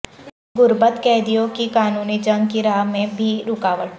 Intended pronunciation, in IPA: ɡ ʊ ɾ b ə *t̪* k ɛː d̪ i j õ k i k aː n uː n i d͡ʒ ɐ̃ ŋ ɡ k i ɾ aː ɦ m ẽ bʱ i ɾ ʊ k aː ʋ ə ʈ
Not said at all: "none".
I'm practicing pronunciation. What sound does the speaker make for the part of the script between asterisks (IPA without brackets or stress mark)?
t̪